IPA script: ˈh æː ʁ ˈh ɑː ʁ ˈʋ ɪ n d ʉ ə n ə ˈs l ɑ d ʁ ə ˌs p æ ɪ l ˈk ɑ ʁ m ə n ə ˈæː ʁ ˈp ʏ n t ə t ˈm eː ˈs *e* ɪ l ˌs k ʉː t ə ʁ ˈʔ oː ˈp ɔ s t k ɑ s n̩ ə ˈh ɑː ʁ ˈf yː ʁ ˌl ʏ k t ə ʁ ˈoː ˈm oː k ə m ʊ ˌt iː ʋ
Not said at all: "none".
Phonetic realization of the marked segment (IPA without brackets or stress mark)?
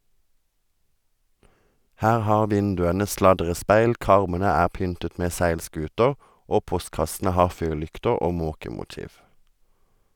æ